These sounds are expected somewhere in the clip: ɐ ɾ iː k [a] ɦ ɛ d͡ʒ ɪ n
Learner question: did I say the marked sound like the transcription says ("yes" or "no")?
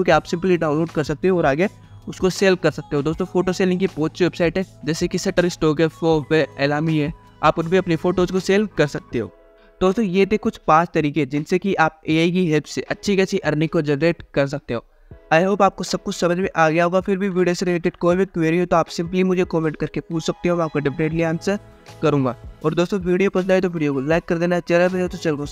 no